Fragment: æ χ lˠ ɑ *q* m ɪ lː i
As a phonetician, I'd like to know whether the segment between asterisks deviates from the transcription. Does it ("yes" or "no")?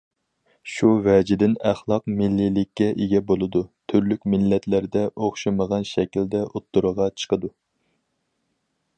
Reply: no